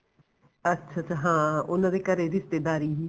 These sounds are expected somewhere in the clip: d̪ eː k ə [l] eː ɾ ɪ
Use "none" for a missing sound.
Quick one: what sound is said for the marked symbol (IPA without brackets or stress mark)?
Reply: ɾ